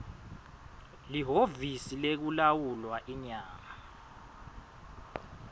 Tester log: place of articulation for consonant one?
alveolar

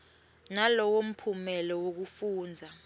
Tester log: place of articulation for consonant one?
alveolar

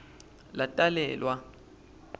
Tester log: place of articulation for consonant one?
alveolar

